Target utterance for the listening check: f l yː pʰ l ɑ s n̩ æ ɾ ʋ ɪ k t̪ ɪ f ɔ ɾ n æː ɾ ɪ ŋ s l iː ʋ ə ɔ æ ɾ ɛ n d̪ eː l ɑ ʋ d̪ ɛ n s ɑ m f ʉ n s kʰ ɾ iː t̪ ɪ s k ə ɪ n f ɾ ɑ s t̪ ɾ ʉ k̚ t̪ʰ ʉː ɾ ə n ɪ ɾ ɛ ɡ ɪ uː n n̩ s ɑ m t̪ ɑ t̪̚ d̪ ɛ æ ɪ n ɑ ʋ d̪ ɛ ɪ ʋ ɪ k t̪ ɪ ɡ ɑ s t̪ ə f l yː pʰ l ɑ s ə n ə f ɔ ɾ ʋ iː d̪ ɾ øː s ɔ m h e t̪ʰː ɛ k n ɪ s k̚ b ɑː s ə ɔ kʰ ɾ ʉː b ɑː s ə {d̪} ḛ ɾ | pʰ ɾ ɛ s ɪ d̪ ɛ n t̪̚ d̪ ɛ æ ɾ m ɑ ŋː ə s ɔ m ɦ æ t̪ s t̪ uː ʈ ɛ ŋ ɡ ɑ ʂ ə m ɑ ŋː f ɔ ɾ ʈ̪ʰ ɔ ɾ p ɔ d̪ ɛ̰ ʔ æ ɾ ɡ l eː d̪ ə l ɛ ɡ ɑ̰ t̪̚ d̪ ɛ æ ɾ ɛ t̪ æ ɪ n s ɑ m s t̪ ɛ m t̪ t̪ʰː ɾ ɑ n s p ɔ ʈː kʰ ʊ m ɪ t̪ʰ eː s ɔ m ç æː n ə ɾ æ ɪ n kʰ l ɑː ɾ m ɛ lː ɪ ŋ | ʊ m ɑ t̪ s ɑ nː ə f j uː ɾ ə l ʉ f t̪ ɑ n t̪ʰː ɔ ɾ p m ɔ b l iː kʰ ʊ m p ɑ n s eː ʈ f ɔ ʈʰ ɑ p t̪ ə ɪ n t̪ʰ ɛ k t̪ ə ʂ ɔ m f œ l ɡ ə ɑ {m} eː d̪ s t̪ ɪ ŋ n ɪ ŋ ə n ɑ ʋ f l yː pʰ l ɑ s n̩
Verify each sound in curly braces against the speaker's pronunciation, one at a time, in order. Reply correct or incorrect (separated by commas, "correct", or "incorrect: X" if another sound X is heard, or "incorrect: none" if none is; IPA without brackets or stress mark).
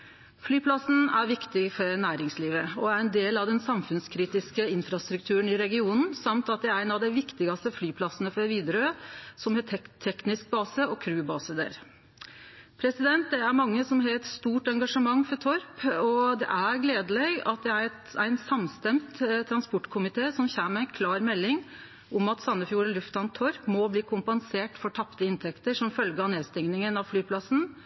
correct, incorrect: n